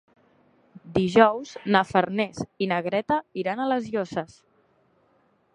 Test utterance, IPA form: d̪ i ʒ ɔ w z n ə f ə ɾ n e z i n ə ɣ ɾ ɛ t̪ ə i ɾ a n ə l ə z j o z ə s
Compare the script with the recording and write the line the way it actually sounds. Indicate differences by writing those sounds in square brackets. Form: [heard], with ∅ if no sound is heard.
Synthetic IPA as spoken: d̪ i ʒ ɔ w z n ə f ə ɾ n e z i n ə ɣ ɾ ɛ t̪ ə i ɾ a n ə l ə z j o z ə s